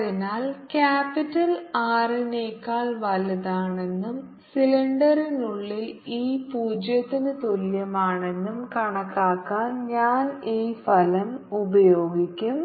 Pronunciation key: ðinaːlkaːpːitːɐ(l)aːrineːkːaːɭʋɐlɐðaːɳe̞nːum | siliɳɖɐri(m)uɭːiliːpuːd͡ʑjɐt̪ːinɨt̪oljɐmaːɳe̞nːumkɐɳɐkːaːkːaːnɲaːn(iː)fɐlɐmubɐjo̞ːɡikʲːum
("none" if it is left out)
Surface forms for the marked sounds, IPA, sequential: l, n, iː

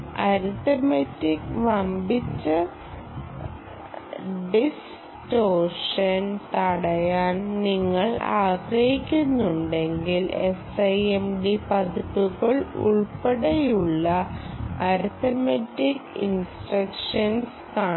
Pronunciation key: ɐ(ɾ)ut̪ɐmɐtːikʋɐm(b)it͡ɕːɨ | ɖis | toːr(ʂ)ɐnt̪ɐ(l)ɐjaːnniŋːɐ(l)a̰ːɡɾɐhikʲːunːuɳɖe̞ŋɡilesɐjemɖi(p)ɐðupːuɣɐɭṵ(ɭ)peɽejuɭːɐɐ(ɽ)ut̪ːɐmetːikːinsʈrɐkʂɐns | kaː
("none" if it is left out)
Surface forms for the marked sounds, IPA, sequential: ɾ, b, ʂ, ɽ, ɭ, p, ɭ, ɾ

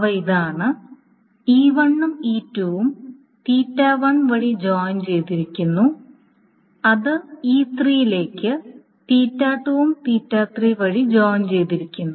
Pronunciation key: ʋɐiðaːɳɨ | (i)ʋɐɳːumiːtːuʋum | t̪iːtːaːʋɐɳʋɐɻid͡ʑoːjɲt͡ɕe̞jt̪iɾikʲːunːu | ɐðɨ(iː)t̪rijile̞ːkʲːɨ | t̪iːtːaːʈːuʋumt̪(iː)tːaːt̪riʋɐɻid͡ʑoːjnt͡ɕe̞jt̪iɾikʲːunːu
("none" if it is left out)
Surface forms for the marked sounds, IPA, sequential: iː, iː, iː

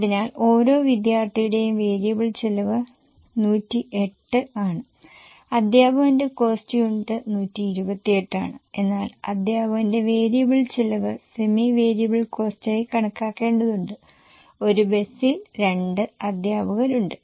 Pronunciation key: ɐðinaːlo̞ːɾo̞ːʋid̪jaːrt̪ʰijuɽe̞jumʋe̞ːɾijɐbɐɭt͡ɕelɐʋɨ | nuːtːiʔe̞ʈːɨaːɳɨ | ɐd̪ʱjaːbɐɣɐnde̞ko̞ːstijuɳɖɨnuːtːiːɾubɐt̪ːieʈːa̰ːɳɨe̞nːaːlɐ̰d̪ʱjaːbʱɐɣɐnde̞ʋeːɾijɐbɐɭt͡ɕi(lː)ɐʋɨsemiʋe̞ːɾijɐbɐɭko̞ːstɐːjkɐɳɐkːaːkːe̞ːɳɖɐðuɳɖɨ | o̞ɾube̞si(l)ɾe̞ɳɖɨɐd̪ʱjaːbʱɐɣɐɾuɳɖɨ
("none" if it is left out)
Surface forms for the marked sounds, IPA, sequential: l, l

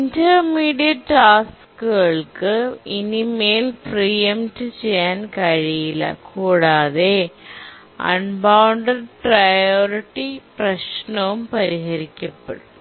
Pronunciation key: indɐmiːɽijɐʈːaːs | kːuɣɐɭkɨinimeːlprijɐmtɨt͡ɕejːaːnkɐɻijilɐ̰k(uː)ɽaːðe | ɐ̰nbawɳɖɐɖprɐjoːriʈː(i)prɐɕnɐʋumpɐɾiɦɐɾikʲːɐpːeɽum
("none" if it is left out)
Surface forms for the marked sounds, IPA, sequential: uː, i

